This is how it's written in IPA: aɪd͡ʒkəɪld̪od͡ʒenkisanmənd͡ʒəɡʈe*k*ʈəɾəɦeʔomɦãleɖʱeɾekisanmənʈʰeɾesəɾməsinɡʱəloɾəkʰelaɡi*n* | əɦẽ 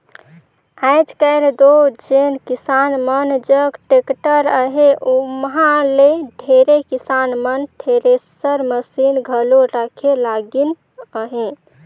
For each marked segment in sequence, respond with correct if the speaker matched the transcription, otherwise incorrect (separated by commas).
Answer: correct, correct